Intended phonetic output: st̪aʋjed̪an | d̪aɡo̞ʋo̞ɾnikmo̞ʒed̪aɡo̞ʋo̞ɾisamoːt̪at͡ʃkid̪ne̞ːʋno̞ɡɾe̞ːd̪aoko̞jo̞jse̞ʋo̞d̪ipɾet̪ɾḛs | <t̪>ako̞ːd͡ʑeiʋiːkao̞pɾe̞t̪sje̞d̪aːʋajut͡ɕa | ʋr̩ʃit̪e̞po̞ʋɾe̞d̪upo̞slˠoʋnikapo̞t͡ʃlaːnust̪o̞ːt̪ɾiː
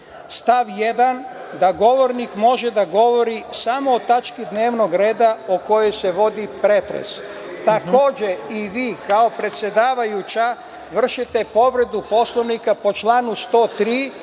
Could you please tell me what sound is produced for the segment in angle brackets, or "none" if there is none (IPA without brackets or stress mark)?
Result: t̪